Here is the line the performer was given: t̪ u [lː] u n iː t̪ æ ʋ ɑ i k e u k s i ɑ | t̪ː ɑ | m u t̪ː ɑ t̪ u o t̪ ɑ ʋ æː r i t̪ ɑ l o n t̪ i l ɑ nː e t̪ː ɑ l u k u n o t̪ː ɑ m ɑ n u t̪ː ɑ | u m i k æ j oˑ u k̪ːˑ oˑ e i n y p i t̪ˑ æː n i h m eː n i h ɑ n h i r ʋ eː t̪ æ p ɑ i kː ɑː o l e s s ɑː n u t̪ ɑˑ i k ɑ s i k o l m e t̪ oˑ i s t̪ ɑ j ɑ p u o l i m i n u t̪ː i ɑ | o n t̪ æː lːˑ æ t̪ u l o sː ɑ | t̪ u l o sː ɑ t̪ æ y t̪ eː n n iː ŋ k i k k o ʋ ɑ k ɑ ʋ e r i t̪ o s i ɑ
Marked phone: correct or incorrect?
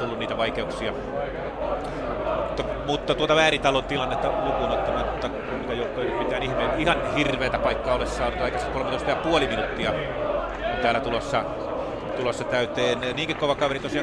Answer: correct